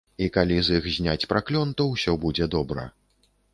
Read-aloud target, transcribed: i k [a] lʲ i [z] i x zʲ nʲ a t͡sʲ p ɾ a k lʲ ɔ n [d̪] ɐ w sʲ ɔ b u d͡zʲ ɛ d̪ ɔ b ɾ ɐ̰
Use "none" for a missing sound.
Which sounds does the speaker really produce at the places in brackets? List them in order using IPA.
a, z, t̪

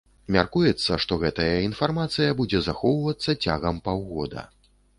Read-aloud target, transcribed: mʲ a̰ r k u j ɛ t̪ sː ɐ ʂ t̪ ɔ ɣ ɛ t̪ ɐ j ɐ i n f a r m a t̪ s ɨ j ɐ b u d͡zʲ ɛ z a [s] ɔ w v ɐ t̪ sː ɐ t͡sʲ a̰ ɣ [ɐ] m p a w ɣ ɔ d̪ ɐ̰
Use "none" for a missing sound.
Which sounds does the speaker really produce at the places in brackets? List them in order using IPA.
x, ɐ

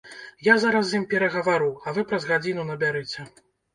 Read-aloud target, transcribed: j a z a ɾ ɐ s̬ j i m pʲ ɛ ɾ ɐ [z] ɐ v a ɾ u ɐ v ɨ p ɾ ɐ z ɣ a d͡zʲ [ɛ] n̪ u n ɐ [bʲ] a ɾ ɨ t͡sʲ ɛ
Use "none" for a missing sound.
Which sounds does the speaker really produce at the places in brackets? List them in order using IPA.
ɣ, i, bʲ

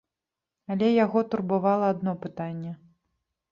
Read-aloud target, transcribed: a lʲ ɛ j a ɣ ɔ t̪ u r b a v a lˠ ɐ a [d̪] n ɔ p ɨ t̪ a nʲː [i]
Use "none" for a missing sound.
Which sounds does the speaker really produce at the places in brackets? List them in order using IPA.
d̪, ɛ

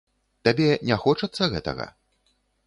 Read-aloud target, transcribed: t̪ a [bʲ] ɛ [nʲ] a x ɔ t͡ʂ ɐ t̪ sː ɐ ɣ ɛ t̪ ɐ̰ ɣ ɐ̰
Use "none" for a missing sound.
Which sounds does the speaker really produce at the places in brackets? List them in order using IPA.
bʲ, nʲ

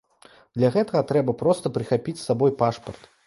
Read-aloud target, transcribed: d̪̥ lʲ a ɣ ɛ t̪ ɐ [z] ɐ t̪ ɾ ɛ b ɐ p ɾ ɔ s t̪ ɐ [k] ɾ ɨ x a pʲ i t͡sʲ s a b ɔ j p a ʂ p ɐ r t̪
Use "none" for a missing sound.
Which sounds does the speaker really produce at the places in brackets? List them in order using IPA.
ɣ, p

